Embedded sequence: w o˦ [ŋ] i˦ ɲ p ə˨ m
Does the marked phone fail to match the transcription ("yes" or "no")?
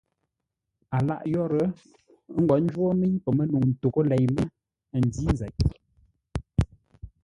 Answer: yes